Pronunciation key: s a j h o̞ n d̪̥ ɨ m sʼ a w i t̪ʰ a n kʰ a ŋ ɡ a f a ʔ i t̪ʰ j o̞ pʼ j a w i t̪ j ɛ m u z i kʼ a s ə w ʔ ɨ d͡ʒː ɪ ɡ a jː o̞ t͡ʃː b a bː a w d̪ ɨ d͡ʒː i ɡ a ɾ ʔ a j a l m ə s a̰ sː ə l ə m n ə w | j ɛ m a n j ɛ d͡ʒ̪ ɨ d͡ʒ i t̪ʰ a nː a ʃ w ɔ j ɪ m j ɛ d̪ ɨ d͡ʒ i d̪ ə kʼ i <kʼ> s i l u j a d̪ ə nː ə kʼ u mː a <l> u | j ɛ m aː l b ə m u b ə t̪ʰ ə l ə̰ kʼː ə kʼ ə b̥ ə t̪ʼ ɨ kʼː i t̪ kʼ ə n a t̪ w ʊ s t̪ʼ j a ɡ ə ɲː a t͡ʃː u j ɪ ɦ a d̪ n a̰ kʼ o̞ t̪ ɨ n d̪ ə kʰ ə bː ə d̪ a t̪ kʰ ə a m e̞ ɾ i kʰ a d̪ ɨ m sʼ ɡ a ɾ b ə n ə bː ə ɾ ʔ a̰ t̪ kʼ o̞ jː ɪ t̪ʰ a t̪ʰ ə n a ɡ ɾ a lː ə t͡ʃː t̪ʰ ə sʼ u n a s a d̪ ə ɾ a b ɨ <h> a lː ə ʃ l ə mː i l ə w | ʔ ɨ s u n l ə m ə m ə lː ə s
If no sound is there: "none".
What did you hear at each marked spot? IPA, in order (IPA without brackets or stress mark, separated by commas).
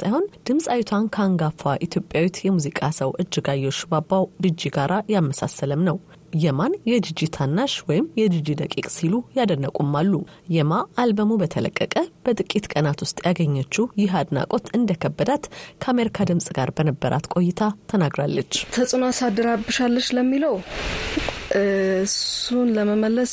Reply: kʼ, lː, ʃ